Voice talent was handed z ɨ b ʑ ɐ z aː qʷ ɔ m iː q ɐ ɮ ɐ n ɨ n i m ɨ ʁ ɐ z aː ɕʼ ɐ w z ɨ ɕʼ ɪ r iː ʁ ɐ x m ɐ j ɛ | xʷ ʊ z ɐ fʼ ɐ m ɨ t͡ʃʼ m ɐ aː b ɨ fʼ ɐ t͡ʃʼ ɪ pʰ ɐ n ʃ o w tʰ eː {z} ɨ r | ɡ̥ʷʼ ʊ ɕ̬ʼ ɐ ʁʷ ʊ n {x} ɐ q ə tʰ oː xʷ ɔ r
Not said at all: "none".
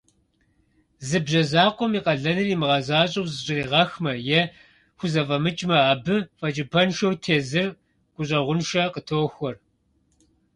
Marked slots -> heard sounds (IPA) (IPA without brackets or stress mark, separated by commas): z, ʃ